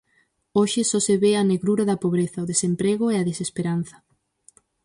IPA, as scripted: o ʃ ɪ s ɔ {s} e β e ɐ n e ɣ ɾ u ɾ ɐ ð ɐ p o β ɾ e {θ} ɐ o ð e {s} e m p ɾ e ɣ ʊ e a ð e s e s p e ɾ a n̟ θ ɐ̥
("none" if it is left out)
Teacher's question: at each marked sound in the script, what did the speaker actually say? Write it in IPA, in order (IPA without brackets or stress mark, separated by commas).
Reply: s, θ, s